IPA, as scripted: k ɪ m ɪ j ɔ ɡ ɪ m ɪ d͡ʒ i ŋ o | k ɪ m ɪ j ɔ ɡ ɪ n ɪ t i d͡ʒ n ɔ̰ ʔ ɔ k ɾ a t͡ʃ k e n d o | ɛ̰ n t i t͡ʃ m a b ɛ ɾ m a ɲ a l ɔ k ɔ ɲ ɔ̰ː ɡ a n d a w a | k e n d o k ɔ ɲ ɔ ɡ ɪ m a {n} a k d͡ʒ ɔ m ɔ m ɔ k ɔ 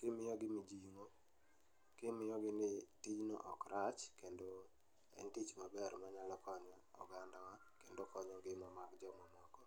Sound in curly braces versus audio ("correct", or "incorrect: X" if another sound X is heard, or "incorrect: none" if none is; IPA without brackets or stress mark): incorrect: m